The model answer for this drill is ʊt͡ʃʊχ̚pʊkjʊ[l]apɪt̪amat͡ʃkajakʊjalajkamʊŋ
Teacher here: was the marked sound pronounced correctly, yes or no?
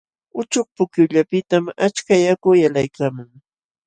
no